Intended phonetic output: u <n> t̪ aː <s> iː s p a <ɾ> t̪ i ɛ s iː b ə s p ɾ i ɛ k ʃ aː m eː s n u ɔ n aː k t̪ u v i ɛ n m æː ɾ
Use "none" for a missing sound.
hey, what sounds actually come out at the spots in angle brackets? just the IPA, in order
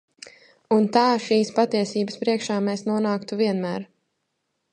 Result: n, ʃ, none

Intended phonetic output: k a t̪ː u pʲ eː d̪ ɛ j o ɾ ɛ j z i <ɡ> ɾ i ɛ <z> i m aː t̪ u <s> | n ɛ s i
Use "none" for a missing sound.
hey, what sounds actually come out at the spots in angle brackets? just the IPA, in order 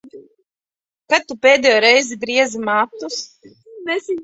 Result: b, z, s

